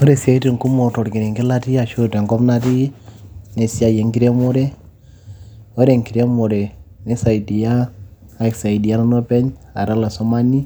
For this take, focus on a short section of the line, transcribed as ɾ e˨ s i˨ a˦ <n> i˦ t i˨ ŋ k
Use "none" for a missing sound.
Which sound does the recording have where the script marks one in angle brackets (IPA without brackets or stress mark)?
none